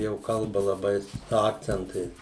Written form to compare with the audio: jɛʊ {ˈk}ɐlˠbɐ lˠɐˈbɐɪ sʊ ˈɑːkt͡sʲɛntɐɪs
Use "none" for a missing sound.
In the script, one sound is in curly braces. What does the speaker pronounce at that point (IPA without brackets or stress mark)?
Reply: k